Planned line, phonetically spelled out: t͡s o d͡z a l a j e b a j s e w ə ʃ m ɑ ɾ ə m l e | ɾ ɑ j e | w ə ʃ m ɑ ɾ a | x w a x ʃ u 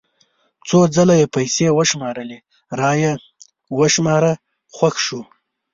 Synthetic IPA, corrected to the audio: t͡s o d͡z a l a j e p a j s e w ə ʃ m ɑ ɾ ə l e | ɾ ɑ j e | w ə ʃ m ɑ ɾ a | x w a x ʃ u